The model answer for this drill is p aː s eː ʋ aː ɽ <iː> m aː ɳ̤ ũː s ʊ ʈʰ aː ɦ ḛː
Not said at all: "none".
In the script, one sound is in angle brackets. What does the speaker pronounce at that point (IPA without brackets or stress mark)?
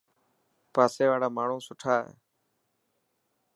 aː